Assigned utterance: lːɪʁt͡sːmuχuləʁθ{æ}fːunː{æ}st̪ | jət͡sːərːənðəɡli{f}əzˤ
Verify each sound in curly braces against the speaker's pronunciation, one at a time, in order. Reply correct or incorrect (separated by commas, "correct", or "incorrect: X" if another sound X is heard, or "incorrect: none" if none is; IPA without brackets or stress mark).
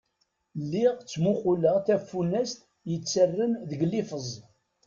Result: correct, correct, correct